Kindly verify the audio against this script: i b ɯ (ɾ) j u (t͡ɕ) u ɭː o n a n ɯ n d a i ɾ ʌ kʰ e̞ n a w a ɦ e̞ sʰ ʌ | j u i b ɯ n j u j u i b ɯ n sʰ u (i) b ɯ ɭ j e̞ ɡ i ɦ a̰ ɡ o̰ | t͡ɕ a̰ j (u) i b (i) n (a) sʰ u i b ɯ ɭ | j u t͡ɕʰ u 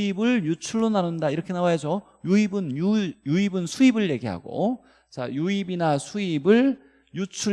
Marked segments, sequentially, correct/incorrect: incorrect, incorrect, correct, correct, correct, correct

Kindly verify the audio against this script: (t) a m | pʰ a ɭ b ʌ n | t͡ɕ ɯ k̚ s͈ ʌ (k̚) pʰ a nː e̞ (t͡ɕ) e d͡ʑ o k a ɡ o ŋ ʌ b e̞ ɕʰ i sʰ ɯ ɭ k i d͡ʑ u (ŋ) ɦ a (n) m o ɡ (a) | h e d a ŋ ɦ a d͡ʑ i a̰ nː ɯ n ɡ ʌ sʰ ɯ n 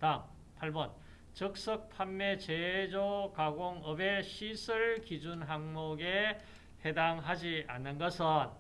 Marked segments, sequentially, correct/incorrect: correct, correct, correct, incorrect, incorrect, incorrect

